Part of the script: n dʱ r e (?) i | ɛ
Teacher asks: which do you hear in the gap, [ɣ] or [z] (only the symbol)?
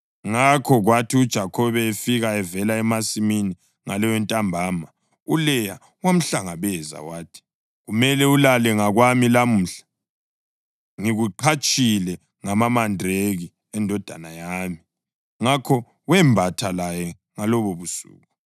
ɣ